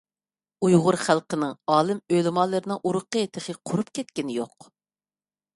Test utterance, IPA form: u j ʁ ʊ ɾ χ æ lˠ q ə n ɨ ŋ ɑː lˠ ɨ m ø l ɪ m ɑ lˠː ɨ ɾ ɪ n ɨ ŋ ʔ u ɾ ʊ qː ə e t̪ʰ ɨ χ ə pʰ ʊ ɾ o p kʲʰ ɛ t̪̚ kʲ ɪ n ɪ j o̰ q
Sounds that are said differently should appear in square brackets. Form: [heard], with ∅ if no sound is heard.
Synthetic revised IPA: u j ʁ ʊ ɾ χ æ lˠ q ə n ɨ ŋ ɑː lˠ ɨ m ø l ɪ m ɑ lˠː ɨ ɾ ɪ n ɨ ŋ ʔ u ɾ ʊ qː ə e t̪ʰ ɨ χ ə [qʰ] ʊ ɾ [u] p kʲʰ ɛ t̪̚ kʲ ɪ n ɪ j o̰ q